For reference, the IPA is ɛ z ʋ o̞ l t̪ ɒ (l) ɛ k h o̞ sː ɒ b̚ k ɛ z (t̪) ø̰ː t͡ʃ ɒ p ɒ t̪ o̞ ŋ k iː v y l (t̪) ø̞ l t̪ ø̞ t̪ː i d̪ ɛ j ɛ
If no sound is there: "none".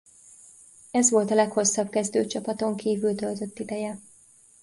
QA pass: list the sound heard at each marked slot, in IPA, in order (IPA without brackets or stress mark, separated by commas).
l, d̪, t̪